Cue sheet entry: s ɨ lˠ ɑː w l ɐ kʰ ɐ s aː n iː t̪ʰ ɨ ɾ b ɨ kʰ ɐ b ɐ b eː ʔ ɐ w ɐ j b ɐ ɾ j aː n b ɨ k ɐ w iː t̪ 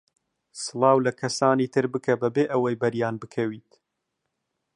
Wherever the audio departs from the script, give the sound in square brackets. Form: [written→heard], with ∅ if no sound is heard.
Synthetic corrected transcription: s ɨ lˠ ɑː w l ɐ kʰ ɐ s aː n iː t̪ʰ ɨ ɾ b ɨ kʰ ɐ b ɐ b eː ʔ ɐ w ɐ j b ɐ ɾ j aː n b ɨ [k→kʰ] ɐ w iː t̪